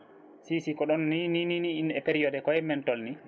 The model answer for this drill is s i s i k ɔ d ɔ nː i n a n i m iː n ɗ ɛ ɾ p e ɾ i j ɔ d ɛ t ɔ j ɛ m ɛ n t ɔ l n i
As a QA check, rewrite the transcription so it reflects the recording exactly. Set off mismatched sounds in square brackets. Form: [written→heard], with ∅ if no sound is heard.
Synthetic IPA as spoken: s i s i k ɔ [d→ɗ] ɔ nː i n [a→i] n i [m→n] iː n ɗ ɛ [ɾ→∅] p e ɾ i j ɔ d ɛ [t→k] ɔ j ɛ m ɛ n t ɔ l n i